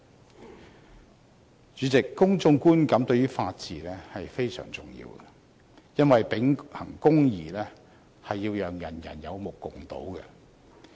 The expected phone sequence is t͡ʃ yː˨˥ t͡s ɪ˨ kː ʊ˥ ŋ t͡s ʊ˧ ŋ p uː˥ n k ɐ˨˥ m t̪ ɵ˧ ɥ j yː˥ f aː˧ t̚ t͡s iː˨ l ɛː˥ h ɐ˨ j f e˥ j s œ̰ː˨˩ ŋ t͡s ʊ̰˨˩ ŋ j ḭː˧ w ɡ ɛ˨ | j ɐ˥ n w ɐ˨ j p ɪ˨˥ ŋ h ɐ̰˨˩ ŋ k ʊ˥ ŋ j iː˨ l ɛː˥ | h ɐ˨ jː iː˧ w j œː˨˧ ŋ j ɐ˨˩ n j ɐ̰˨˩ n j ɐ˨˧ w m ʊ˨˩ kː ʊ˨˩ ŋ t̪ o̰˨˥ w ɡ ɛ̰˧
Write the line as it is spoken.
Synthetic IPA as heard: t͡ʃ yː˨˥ t͡s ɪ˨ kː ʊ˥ ŋ t͡s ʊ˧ ŋ k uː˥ n k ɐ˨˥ m t̪ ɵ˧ ɥ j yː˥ f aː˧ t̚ t͡s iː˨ l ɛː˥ h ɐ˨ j f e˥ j s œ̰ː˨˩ ŋ t͡s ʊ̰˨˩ ŋ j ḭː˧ w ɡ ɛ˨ | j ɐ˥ n w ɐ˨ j p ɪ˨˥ ŋ h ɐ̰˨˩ ŋ k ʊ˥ ŋ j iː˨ l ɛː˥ | h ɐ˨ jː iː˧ w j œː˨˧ ŋ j ɐ˨˩ n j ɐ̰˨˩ n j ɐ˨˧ w m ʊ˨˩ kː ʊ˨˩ ŋ t̪ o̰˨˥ w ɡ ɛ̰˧